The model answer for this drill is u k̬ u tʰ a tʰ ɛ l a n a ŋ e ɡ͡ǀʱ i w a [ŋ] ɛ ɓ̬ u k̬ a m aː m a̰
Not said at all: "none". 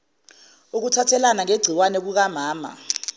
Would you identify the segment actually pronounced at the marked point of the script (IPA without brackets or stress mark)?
n